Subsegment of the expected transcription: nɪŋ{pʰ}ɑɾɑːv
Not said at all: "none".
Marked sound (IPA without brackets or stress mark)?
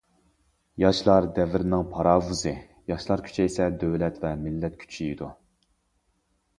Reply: pʰ